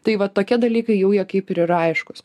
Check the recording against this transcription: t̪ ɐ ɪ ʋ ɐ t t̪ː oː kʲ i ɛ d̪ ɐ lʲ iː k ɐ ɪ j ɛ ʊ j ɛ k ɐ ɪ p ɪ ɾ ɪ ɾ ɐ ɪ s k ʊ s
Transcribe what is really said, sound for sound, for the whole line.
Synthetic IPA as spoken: t̪ ɐ ɪ ʋ ɐ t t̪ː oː kʲ i ɛ d̪ ɐ lʲ iː k ɐ ɪ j ɛ ʊ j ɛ k ɐ ɪ p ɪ ɾ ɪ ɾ ɐ ɪ ʃ k ʊ s